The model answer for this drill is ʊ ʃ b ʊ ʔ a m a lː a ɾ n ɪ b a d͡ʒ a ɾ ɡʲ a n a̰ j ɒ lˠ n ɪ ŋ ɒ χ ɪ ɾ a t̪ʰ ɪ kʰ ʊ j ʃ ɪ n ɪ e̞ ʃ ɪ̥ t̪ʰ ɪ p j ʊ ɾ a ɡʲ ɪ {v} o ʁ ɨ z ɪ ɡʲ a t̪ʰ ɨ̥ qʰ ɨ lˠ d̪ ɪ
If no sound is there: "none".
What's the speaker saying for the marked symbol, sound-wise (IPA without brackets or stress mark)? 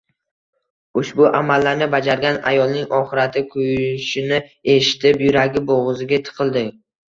b